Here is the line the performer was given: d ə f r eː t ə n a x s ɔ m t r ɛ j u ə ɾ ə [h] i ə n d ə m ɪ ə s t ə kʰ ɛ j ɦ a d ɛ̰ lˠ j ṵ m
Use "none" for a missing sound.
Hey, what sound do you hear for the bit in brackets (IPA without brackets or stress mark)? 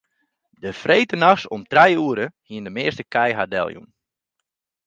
h